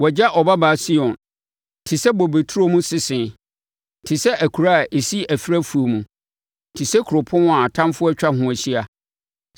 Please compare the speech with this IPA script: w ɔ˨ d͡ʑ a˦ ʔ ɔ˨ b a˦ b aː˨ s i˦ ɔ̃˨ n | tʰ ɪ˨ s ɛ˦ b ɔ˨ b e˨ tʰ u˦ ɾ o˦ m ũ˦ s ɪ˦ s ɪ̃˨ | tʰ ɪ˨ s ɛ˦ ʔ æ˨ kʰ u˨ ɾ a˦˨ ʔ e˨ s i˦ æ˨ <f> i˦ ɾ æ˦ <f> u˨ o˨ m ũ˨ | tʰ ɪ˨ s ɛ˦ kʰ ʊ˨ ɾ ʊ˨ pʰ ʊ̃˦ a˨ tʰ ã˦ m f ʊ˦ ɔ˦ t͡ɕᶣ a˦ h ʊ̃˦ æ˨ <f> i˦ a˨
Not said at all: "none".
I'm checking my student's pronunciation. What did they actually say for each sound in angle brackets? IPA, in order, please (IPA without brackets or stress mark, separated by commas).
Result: f, f, ɕ